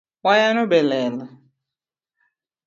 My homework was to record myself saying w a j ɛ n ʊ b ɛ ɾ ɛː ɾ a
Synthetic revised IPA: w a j a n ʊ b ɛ l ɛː l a